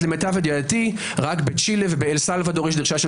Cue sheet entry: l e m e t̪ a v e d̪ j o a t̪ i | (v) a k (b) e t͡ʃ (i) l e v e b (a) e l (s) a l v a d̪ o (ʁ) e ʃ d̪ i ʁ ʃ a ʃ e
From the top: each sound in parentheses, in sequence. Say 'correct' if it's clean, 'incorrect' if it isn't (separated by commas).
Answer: incorrect, correct, correct, incorrect, correct, correct